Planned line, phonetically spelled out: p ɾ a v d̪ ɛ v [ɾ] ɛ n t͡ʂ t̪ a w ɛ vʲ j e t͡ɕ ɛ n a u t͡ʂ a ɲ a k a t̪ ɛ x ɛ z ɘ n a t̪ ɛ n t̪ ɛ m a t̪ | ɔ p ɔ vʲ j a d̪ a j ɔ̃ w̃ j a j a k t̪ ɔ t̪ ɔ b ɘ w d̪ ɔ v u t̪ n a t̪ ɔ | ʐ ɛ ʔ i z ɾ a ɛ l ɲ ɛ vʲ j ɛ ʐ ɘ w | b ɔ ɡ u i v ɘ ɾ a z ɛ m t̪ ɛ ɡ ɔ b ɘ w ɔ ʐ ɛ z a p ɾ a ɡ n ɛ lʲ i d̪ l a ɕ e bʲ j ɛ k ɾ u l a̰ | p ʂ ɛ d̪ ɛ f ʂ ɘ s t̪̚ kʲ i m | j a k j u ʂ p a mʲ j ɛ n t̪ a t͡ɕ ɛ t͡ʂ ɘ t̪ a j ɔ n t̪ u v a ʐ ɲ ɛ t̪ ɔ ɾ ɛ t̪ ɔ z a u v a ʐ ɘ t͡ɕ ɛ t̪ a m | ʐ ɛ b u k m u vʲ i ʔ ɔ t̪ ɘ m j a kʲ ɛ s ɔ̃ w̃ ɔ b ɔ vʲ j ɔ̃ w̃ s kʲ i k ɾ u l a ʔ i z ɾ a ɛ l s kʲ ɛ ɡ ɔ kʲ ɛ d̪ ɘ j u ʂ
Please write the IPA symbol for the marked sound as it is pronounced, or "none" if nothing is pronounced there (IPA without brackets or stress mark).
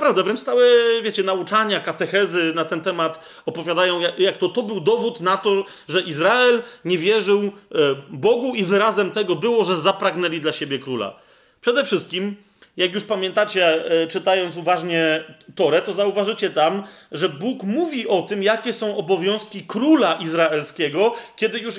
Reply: ɾ